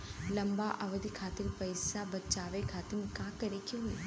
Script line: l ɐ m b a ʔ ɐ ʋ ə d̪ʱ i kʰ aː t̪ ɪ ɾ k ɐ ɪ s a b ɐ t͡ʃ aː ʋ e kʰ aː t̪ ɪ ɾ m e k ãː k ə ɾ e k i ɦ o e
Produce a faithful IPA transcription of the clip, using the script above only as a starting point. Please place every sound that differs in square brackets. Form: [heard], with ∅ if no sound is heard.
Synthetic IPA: l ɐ m b a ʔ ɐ ʋ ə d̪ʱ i kʰ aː t̪ ɪ ɾ [p] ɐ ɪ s a b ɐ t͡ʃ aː ʋ e kʰ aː t̪ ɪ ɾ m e k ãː k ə ɾ e k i ɦ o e